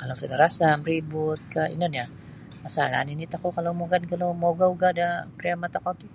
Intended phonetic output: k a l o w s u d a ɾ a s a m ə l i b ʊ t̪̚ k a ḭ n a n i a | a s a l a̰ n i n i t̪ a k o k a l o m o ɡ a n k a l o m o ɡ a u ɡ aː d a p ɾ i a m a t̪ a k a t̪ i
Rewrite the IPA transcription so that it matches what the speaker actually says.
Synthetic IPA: k a l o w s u d a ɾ a s a m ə ɾ i b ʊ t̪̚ k a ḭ n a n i a | a s a l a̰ n i n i t̪ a k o k a l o m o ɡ a n k a l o m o ɡ a u ɡ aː d a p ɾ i a m a t̪ a k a t̪ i